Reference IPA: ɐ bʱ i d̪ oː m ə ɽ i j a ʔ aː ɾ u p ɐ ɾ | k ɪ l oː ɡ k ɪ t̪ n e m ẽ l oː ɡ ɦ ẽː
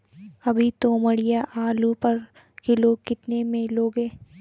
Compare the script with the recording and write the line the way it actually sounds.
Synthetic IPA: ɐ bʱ i t̪ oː m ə ɽ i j a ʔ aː l u p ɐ ɾ | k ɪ l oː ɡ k ɪ t̪ n e m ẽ l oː ɡ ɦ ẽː